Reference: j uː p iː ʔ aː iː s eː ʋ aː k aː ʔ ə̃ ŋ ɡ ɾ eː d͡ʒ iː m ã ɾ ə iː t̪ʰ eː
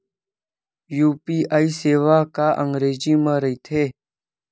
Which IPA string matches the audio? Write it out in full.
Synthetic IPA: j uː p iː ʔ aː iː s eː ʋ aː k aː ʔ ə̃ ŋ ɡ ɾ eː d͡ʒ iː m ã ɾ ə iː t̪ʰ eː

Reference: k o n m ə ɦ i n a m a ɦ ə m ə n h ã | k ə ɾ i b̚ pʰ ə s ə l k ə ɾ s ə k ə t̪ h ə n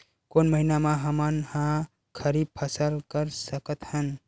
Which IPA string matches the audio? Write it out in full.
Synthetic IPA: k o n m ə ɦ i n a m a ɦ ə m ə n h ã | kʰ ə ɾ i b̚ pʰ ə s ə l k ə ɾ s ə k ə t̪ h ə n

